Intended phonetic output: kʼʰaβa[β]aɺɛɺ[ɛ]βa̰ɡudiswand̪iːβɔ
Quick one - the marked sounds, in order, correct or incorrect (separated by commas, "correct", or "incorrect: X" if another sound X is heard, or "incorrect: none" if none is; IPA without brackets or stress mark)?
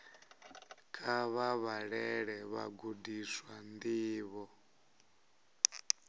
correct, correct